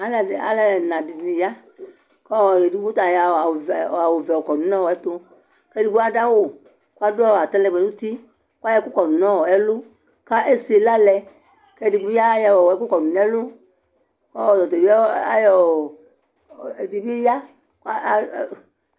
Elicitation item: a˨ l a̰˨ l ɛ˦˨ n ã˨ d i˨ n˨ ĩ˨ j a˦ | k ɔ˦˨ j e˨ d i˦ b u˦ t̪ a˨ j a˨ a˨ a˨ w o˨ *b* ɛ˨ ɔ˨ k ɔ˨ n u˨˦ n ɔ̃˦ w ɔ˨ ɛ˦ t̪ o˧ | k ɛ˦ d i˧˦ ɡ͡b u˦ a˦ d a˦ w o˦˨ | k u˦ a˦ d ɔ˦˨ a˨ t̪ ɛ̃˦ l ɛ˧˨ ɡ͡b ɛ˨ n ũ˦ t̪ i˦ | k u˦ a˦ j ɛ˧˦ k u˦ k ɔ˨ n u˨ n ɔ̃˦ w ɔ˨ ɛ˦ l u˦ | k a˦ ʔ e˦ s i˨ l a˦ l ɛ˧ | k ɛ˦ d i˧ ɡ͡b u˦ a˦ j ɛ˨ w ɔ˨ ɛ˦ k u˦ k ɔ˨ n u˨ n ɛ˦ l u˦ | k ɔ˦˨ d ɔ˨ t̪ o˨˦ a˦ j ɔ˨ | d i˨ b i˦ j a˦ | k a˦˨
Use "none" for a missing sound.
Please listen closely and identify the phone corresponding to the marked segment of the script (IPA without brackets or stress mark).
v